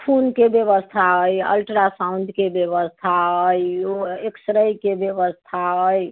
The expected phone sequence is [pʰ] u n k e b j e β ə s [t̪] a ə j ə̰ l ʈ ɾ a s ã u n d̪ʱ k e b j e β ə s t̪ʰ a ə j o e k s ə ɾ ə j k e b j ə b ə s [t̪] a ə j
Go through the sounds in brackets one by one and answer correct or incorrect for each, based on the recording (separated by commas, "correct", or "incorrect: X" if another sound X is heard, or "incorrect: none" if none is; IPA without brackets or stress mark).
correct, incorrect: t̪ʰ, incorrect: t̪ʰ